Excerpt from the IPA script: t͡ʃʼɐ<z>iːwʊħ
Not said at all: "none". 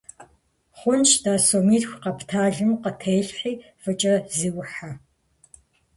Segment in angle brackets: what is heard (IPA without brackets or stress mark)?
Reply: z